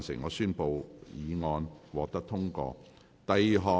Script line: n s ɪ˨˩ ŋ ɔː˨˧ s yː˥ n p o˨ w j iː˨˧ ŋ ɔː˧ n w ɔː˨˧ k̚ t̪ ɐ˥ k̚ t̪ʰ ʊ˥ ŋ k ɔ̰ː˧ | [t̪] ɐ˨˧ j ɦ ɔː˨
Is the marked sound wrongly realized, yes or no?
no